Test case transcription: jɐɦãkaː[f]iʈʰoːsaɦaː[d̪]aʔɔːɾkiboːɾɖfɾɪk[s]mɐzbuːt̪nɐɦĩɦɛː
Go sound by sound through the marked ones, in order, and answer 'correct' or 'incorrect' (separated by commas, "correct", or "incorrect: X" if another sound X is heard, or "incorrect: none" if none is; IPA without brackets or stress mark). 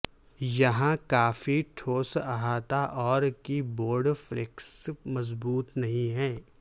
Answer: correct, incorrect: t̪, correct